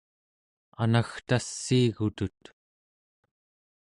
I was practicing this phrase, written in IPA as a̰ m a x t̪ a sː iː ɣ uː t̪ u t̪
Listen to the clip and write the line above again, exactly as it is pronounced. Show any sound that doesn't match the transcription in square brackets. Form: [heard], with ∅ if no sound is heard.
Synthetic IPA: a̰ [n] a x t̪ a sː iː ɣ [u] t̪ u t̪